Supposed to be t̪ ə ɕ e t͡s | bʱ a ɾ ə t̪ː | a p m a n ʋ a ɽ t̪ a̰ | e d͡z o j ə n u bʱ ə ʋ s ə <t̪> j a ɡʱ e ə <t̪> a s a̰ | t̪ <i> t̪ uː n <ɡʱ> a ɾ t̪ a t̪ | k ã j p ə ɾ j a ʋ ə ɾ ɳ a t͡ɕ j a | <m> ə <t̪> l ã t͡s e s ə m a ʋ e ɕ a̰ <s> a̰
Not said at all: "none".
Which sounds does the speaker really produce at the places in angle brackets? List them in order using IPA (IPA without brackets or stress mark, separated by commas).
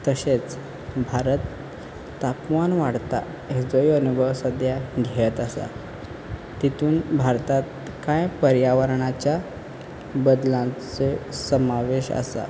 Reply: d̪, t̪, i, bʱ, b, d̪, s